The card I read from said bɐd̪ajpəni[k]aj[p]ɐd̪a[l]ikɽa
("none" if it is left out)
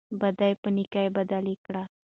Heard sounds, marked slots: k, b, l

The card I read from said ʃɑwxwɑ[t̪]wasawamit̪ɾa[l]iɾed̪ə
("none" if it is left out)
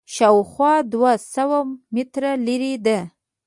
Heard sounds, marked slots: d̪, l

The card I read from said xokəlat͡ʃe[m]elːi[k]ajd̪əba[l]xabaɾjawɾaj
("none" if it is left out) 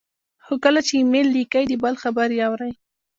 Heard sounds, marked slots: m, k, l

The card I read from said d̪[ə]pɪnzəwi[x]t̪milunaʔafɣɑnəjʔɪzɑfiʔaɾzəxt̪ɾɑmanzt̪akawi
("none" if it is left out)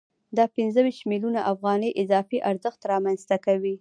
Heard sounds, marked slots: ɑ, ʃ

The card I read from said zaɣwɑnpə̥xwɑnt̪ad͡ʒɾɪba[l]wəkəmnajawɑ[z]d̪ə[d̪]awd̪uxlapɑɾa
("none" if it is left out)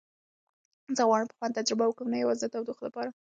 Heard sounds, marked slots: none, z, t̪

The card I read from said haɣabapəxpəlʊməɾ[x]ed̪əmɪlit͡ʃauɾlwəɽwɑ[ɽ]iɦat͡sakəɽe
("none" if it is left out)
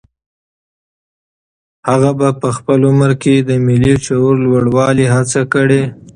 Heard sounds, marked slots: k, l

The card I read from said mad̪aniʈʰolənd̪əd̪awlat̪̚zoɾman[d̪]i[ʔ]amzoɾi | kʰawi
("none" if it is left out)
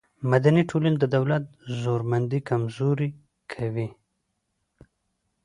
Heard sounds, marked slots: d̪, k

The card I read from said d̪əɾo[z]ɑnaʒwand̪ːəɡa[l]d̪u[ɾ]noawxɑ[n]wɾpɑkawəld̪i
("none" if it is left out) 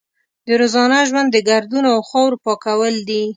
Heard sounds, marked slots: z, ɾ, none, none

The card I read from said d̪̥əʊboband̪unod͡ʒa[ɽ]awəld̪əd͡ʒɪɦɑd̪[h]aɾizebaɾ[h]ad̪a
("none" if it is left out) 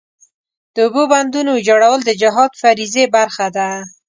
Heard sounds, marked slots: ɽ, f, x

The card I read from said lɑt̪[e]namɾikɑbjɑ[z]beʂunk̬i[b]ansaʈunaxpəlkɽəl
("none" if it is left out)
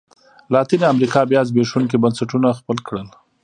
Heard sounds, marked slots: i, z, b

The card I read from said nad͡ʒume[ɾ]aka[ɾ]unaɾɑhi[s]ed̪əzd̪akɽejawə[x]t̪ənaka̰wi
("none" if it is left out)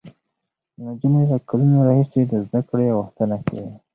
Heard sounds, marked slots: l, l, s, x

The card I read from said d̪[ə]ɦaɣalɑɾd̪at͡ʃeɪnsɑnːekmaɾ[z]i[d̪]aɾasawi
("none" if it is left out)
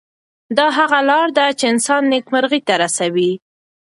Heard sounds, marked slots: ɑ, ɣ, t̪

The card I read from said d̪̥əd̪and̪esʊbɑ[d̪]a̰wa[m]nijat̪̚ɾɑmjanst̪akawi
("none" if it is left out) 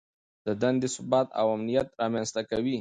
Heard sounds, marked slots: t̪, m

